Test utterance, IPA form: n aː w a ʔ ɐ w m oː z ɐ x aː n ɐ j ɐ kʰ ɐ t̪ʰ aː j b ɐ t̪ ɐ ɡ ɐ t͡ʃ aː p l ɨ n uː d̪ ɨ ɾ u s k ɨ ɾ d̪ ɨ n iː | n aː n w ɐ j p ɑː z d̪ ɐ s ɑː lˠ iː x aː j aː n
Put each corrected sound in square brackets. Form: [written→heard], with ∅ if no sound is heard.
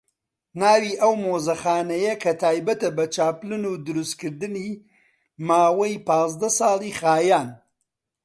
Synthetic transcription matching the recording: n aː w [a→i] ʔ ɐ w m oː z ɐ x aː n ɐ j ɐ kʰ ɐ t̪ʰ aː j b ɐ t̪ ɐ [ɡ→b] ɐ t͡ʃ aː p l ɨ n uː d̪ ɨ ɾ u s k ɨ ɾ d̪ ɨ n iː | [n→m] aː [n→∅] w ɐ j p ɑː z d̪ ɐ s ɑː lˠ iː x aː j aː n